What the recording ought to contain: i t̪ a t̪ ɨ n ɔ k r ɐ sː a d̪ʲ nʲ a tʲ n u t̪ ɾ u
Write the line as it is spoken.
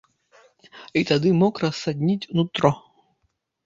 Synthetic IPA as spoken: i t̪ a d̪ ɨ m ɔ k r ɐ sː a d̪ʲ nʲ i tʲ n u t̪ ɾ ɔ